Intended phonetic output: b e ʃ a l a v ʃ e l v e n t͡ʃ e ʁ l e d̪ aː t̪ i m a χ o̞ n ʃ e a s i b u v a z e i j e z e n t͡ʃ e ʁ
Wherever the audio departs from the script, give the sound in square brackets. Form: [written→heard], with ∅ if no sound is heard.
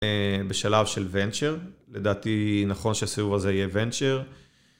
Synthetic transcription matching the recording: b e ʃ a l a v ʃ e l v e n t͡ʃ e ʁ l e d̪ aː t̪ i [m→n] a χ o̞ n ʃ e a s i [b→v] u v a z e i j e [z→v] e n t͡ʃ e ʁ